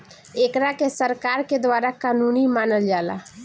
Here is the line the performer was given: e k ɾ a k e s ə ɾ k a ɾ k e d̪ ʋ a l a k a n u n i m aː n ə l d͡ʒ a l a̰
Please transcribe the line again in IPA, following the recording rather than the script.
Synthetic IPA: e k ɾ a k e s ə ɾ k a ɾ k e d̪ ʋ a ɾ a k a n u n i m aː n ə l d͡ʒ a l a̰